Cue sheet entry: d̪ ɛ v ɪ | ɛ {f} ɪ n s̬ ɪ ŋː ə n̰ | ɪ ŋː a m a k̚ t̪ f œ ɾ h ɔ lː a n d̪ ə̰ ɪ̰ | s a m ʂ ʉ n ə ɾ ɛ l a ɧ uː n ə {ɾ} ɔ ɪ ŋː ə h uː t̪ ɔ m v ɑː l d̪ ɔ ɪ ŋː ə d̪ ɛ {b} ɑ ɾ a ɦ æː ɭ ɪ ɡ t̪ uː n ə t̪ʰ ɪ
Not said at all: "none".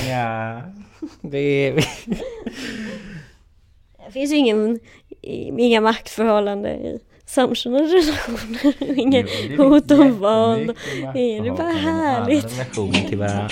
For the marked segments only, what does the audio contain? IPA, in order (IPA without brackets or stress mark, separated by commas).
f, ɾ, b